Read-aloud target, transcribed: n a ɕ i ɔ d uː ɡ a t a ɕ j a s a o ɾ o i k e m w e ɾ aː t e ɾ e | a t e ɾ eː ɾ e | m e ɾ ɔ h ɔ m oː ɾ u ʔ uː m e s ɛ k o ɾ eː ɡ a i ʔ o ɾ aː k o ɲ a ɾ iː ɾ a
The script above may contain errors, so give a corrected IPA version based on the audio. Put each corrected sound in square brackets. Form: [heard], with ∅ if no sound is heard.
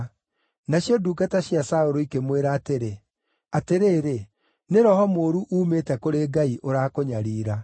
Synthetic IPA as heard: n a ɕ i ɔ d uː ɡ a t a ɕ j a s a o ɾ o i k e m w e ɾ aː t e ɾ e | a t e ɾ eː ɾ e | [n] e ɾ ɔ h ɔ m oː ɾ u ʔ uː m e [t] ɛ k o ɾ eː ɡ a i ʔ o ɾ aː k o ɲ a ɾ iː ɾ a

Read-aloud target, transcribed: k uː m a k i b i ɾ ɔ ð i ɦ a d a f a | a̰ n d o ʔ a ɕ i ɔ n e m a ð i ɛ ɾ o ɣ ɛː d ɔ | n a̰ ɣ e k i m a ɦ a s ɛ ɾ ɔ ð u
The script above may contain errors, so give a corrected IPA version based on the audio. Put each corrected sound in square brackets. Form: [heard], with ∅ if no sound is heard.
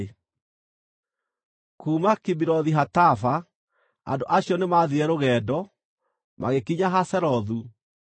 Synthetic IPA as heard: k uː m a k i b i ɾ ɔ ð i ɦ a [t] a f a | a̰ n d o ʔ a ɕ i ɔ n e m a ð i ɛ ɾ o ɣ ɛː d ɔ | [m] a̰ ɣ e k i [ɲ] a ɦ a s ɛ ɾ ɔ ð u

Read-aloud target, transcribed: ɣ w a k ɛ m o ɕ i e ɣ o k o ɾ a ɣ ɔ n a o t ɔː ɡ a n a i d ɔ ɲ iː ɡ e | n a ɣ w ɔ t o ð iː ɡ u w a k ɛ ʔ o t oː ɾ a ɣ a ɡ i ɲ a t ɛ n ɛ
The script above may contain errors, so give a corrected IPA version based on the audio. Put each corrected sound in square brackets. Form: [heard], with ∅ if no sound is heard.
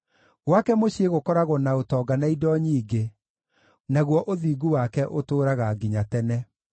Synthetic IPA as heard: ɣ w a k ɛ m o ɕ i e ɣ o k [ɔ] ɾ a ɣ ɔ n a o t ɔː ɡ a n a i d ɔ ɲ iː ɡ e | n a ɣ w ɔ [ʔ] o ð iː ɡ u w a k ɛ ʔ o t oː ɾ a ɣ a ɡ i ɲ a t ɛ n ɛ

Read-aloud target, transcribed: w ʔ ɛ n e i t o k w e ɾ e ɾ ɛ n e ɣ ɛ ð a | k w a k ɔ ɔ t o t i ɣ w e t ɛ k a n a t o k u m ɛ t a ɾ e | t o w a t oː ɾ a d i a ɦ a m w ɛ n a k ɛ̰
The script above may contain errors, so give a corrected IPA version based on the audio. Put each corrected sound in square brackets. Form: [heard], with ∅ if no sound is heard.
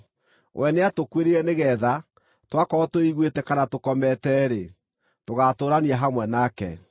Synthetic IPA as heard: w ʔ ɛ n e [a] t o k w e ɾ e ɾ ɛ n e ɣ ɛ ð a | [t] w a k ɔ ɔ t o [∅] i ɣ w e t ɛ k a n a t o k [ɔ] m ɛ t [ɛ] ɾ e | t o [ɣ] a t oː ɾ a [n] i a ɦ a m w ɛ n a k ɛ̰

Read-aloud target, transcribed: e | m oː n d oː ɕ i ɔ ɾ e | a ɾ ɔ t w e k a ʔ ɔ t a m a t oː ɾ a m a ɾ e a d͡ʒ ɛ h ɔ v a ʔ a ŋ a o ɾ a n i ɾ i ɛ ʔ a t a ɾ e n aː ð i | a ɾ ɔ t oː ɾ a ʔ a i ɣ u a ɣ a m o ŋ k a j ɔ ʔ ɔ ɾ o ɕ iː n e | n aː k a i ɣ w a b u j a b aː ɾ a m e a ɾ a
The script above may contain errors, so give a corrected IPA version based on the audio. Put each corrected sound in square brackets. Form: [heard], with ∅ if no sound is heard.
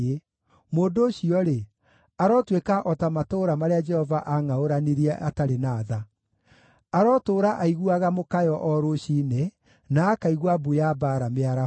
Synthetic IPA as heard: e | m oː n d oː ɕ i ɔ ɾ e | a ɾ ɔ t w e k a ʔ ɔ t a m a t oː ɾ a m a ɾ e a d͡ʒ ɛ h ɔ v a ʔ a ŋ a o ɾ a n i ɾ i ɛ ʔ a t a ɾ e n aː ð [a] | a ɾ ɔ t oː ɾ a ʔ a i ɣ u a ɣ a m o [∅] k a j ɔ ʔ ɔ ɾ o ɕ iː n e | n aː k a i ɣ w a b u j a b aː ɾ a m e a ɾ a

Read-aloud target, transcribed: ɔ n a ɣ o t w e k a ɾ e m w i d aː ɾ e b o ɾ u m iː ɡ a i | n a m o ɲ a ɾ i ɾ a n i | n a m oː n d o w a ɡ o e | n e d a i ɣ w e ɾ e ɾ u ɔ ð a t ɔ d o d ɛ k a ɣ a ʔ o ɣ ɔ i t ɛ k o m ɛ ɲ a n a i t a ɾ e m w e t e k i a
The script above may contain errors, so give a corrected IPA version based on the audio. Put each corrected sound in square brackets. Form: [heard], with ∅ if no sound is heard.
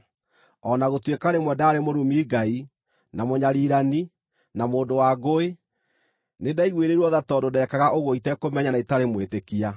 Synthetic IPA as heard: ɔ n a ɣ o t w e k a ɾ e m w [ɛ] d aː ɾ e [m] o ɾ u m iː ɡ a i | n a m o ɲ a ɾ i ɾ a n i | n a m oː n d o w a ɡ o e | n e d a i ɣ w e ɾ e ɾ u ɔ ð a t ɔ d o d ɛ k a ɣ a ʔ o ɣ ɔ i t ɛ k o m ɛ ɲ a n a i t a ɾ e m w e t e k i a

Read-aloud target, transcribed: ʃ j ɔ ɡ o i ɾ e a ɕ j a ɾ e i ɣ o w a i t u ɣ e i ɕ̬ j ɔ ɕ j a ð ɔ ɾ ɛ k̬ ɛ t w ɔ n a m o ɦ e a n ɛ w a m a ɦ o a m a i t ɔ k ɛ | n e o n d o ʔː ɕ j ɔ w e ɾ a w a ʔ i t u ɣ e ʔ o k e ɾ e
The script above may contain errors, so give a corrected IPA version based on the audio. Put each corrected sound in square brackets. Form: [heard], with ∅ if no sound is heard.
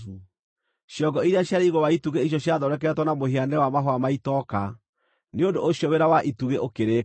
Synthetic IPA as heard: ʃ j ɔ ɡ [ɔ] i ɾ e a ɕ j a ɾ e i ɣ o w a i t u ɣ e i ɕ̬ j ɔ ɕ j a ð ɔ ɾ ɛ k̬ ɛ t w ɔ n a m o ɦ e a n ɛ w a m a ɦ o a m a i t ɔ k [a] | n e o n d o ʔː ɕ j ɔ w e ɾ a w a ʔ i t u ɣ e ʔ o k e ɾ e

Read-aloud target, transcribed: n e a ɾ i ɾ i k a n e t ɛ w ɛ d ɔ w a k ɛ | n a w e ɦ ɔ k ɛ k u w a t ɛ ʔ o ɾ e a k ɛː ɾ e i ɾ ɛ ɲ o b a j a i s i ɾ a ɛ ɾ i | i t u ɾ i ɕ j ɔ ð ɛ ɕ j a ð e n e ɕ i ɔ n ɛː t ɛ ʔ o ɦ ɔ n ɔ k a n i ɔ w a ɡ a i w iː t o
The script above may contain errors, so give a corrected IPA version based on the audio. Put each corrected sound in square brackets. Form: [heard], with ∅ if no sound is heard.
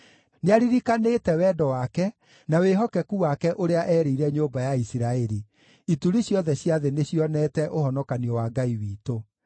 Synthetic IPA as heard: n e a ɾ i ɾ i k a n e t ɛ w ɛ d ɔ w a k ɛ | n a w e ɦ ɔ k ɛ k u w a [k] ɛ ʔ o ɾ e a [ʔ] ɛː ɾ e i ɾ ɛ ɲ o b a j a i s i ɾ a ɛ ɾ i | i t u ɾ i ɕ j ɔ ð ɛ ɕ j a ð e n e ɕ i ɔ n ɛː t ɛ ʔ o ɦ ɔ n ɔ k a n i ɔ w a ɡ a i w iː t o

